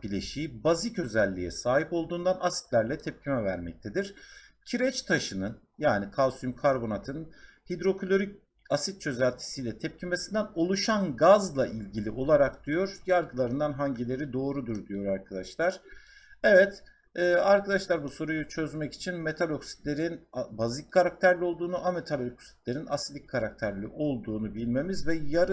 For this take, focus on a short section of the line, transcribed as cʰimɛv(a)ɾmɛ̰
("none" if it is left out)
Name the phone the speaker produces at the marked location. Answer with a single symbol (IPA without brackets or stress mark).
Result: æ